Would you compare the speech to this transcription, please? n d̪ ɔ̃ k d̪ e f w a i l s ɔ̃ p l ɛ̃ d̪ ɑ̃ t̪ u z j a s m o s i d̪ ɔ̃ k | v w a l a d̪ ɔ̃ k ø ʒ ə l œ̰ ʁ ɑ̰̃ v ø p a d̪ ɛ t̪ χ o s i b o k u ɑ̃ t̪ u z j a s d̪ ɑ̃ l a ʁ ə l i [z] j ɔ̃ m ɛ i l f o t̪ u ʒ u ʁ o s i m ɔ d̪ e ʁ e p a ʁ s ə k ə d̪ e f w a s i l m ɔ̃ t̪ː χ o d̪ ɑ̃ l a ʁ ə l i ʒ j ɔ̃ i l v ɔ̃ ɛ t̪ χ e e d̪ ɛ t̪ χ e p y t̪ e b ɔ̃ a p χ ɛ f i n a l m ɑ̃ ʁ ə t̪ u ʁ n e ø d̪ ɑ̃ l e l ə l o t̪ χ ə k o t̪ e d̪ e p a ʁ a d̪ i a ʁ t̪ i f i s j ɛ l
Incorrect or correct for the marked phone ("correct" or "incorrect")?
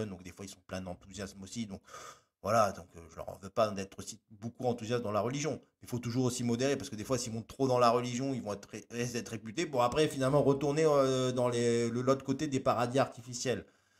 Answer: incorrect